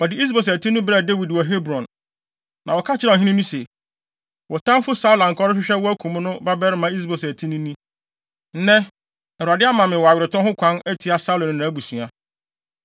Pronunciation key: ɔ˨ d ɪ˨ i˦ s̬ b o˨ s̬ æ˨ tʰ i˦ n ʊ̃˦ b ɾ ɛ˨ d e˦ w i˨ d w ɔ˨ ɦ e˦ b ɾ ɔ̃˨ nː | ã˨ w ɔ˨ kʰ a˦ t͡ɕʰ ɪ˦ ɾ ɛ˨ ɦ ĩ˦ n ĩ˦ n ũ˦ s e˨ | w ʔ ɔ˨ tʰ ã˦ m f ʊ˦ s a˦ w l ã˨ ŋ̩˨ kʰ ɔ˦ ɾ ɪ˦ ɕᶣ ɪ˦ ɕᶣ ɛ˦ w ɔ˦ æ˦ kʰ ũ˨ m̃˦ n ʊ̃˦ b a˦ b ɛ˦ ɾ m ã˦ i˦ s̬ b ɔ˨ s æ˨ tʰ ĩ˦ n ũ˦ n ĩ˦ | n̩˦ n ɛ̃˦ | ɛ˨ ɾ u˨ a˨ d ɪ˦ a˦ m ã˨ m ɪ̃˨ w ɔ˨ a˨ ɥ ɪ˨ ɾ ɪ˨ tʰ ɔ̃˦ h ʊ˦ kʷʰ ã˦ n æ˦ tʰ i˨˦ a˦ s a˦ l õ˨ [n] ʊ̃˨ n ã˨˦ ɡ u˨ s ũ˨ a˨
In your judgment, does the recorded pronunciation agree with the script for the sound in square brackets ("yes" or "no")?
yes